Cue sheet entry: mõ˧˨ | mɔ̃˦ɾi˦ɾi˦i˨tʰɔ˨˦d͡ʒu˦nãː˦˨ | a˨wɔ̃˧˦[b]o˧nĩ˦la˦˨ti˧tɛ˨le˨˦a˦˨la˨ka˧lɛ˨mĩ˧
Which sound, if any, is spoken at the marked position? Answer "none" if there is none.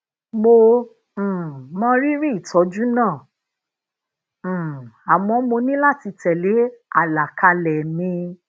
m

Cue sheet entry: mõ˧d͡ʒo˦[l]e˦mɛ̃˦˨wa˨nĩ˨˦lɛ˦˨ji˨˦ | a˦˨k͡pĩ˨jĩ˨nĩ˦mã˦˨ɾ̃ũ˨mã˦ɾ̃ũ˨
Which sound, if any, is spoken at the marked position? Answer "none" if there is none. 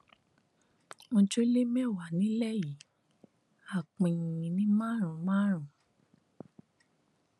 l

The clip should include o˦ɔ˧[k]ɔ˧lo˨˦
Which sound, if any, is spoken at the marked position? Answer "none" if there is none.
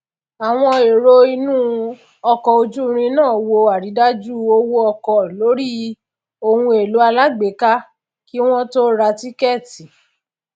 k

